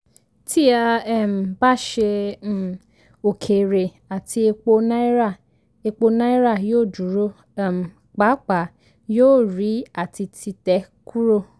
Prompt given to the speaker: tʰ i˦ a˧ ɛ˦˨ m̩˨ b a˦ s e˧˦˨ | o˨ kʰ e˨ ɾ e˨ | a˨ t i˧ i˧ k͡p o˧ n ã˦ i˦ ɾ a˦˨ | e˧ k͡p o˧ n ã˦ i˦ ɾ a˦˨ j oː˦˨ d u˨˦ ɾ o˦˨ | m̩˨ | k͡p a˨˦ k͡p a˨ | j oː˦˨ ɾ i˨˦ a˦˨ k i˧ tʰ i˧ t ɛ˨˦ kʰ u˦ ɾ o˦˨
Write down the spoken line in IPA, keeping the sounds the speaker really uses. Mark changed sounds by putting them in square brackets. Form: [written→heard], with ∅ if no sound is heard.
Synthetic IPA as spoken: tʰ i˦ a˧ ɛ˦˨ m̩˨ b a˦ [s→ʃ] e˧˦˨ | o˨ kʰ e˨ ɾ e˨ | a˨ t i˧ [i˧→e˧] k͡p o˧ n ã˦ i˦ ɾ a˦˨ | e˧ k͡p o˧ n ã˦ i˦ ɾ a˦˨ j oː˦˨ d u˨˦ ɾ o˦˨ | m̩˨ | k͡p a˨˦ k͡p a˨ | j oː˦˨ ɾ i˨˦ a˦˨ [k→t] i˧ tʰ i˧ t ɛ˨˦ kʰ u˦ ɾ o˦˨

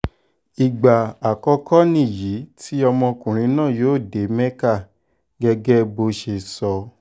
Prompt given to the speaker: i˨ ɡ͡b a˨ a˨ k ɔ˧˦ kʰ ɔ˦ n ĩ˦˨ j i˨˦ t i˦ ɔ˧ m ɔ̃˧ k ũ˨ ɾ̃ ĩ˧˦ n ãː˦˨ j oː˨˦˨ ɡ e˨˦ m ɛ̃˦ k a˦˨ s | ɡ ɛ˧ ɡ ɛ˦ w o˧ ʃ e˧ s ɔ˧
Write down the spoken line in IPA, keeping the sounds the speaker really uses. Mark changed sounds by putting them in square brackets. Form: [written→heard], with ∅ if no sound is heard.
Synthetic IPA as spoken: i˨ ɡ͡b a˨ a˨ k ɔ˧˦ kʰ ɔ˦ n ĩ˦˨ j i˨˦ t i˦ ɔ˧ m ɔ̃˧ k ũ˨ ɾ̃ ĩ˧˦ n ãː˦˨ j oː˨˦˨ [ɡ→d] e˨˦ m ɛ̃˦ k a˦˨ [s→∅] | ɡ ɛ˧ ɡ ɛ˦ [w→b] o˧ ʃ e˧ s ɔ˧

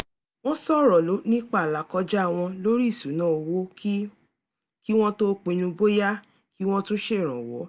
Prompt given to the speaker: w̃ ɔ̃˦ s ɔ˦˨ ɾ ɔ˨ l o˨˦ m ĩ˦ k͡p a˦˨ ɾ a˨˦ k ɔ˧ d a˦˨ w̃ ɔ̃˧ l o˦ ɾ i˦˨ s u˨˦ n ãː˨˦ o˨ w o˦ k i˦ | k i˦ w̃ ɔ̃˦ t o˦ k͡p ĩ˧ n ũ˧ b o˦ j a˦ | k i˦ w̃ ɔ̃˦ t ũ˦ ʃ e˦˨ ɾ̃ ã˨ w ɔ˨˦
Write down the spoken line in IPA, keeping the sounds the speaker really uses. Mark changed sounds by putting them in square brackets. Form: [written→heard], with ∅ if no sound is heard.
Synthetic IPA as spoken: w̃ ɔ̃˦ s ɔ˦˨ ɾ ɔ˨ l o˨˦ [m→n] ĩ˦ k͡p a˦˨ [ɾ→l] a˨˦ k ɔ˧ [d→d͡ʒ] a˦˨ w̃ ɔ̃˧ l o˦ ɾ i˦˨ s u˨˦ n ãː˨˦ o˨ w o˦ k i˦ | k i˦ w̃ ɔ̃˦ t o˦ k͡p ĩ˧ n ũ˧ b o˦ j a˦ | k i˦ w̃ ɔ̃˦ t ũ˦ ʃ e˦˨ ɾ̃ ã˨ w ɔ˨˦

